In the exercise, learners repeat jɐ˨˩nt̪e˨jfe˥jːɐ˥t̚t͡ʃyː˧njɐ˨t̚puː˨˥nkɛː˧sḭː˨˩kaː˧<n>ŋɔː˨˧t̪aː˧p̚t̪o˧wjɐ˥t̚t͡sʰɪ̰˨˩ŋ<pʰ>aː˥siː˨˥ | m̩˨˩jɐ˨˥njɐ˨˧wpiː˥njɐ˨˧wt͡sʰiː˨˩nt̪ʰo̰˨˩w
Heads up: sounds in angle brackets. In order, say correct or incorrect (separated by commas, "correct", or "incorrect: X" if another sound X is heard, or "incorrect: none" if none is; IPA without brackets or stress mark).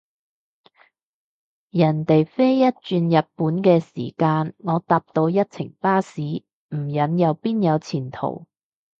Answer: correct, incorrect: p